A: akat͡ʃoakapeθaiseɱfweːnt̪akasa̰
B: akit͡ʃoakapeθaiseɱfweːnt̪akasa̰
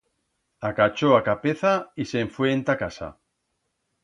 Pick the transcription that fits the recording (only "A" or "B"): A